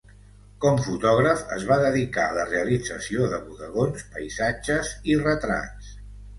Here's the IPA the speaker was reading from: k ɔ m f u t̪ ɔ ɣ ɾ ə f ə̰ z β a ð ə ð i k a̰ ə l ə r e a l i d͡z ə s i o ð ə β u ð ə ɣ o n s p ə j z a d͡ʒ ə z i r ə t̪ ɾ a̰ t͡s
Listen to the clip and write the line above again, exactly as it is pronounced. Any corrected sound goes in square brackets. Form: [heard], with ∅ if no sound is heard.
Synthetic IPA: k ɔ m f u t̪ ɔ ɣ ɾ ə f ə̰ z β a ð ə ð i k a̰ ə l ə r e [ə] l i d͡z ə s i o ð ə β u ð ə ɣ o n s p ə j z a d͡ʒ ə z i r ə t̪ ɾ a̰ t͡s